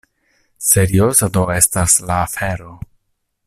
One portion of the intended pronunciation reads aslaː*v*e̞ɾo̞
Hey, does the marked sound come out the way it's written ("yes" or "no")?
no